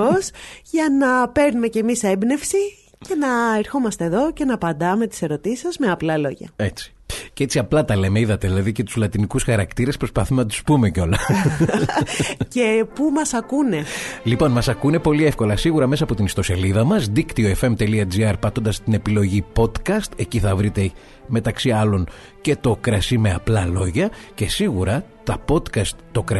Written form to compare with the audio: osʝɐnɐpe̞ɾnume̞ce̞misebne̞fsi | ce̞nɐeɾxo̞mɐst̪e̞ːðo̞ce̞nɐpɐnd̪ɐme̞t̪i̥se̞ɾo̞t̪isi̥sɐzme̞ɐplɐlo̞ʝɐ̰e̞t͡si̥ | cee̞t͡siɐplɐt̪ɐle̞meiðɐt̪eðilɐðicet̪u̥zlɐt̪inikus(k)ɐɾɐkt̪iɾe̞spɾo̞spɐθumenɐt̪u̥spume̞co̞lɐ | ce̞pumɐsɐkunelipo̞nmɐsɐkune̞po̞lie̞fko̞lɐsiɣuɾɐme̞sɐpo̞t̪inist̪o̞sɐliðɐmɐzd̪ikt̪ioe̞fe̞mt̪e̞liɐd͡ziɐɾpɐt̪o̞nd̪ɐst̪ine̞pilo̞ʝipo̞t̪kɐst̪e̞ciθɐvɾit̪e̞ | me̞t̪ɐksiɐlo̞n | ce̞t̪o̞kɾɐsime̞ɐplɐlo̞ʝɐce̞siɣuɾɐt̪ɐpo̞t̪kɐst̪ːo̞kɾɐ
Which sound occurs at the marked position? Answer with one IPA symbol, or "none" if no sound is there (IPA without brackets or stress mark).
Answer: x